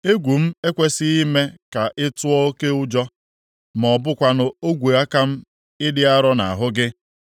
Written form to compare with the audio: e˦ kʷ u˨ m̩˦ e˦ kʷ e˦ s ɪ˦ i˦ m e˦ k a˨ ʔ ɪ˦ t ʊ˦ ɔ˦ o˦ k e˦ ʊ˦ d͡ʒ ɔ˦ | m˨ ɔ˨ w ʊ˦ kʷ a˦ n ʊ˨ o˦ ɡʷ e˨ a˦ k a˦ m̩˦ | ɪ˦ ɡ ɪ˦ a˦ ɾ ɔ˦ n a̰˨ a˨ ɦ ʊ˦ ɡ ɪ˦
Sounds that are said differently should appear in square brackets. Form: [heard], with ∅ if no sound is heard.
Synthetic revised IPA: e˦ [ɡʷ] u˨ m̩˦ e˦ kʷ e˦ s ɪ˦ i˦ m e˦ k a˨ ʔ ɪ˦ t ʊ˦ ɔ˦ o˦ k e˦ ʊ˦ d͡ʒ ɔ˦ | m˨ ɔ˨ [b] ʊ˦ kʷ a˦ n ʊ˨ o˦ ɡʷ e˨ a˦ k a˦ m̩˦ | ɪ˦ [d] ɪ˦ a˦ ɾ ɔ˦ n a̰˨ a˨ ɦ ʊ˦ ɡ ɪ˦